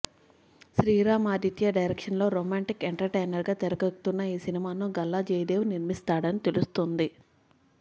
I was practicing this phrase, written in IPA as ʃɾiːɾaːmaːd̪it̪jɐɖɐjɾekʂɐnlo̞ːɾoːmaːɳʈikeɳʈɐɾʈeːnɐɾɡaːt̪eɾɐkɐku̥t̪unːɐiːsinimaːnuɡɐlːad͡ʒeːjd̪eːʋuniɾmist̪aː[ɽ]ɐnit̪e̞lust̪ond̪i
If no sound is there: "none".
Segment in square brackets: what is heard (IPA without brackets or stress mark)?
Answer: ɽ